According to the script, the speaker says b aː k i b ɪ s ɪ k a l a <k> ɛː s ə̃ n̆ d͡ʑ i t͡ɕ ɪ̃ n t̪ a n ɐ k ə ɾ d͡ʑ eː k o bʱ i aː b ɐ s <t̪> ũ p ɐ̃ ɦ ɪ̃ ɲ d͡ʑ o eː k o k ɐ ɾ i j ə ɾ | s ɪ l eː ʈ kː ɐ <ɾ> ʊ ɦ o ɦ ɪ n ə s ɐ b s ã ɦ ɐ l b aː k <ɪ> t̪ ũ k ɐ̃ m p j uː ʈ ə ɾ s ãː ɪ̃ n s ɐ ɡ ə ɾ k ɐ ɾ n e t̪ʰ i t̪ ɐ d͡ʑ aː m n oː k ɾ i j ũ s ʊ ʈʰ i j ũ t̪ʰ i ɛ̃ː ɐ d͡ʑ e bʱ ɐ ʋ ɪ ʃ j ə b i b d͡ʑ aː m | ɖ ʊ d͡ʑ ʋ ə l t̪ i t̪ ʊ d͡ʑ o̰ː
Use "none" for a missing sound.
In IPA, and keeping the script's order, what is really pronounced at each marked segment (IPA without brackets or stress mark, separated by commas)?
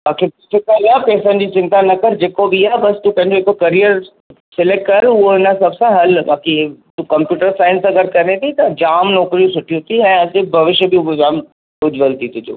p, t̪, ɾ, i